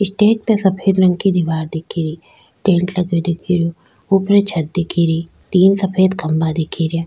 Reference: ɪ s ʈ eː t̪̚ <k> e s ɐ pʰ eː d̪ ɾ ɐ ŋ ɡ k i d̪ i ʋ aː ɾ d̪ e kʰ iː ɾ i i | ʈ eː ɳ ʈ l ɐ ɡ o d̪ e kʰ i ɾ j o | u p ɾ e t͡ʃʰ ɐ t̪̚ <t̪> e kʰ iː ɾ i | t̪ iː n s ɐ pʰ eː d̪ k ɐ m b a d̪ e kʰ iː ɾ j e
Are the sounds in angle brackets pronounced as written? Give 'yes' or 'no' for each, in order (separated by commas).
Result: no, no